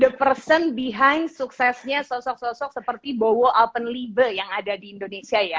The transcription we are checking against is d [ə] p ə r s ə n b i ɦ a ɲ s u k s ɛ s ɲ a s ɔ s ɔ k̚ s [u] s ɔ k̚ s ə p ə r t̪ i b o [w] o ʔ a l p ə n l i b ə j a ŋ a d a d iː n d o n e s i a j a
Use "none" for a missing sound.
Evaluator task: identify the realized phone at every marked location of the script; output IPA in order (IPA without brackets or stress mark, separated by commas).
ə, ɔ, w